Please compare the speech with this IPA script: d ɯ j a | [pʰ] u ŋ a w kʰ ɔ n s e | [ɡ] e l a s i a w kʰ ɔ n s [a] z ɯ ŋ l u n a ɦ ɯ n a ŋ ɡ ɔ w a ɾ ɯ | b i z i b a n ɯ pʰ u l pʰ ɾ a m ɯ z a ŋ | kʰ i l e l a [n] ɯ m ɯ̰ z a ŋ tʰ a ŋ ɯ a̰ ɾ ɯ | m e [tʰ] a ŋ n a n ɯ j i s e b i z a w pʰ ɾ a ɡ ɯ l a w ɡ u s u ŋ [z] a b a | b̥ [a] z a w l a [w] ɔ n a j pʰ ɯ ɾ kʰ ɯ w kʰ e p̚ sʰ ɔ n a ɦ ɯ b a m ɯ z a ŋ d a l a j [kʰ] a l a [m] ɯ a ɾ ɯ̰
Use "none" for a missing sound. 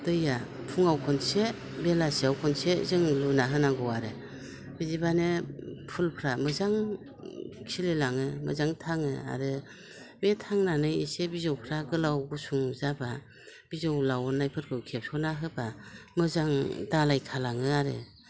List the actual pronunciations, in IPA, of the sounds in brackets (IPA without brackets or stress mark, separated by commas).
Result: pʰ, b, e, ŋ, tʰ, z, i, w, kʰ, ŋ